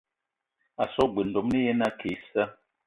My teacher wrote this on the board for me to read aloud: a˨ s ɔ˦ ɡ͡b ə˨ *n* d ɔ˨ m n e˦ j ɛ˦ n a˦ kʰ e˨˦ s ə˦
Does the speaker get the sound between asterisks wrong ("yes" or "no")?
no